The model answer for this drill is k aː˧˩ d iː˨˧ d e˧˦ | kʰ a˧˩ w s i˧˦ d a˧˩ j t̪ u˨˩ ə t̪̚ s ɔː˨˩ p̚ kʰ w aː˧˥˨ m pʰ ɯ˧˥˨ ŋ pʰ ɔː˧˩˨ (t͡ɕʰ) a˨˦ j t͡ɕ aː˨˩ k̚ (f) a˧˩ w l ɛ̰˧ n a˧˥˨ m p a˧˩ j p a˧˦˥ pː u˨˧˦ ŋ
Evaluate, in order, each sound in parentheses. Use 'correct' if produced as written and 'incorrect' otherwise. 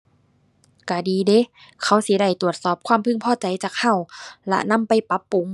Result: incorrect, incorrect

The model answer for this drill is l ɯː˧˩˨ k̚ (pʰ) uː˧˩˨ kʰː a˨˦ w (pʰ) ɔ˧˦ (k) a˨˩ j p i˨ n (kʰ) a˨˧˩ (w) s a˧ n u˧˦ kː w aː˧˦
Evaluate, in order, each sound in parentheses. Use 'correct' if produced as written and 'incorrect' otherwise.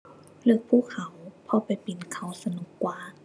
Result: correct, correct, incorrect, correct, correct

